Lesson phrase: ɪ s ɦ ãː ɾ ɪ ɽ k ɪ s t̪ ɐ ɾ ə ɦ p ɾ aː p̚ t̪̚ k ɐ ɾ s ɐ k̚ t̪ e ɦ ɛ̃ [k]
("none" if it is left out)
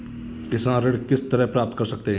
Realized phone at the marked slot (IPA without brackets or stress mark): none